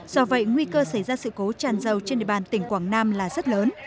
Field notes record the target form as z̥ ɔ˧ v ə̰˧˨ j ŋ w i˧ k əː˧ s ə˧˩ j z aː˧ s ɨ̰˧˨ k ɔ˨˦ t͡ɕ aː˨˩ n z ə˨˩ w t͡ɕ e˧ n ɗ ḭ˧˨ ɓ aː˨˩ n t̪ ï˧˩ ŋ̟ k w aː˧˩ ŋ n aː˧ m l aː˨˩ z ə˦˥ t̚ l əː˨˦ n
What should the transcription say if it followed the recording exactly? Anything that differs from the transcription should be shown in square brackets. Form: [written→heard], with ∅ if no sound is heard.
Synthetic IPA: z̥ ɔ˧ v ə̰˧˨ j ŋ w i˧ k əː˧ s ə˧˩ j z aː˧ s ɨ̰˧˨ k [ɔ˨˦→o˨˦] t͡ɕ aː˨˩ n z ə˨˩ w t͡ɕ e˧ n ɗ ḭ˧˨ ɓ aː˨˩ n t̪ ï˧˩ ŋ̟ k w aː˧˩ ŋ n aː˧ m l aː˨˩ z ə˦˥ t̚ l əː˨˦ n